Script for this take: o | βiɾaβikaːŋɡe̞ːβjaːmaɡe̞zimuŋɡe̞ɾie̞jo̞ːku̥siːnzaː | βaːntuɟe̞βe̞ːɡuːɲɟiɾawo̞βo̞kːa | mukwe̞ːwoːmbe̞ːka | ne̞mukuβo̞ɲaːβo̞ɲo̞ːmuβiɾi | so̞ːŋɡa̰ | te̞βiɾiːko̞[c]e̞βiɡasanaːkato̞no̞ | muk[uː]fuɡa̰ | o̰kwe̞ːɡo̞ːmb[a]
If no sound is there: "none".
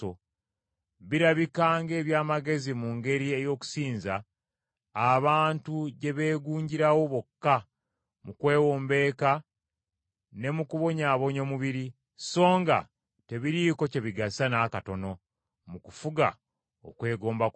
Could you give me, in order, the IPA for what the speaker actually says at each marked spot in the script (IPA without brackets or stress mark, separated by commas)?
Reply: c, u, a